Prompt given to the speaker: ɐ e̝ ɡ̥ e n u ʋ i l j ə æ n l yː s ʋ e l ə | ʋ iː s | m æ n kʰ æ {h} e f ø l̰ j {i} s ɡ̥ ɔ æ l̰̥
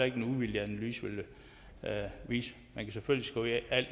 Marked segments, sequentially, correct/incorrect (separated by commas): incorrect, correct